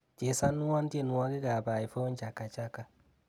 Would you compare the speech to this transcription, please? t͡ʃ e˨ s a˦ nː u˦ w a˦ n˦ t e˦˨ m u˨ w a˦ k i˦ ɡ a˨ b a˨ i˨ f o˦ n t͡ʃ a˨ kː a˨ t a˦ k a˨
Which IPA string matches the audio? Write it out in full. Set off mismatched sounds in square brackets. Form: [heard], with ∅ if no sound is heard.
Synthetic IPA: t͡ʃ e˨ s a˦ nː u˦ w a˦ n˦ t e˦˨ [n] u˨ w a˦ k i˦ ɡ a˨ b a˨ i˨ f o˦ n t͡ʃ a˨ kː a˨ [t͡ʃ] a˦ k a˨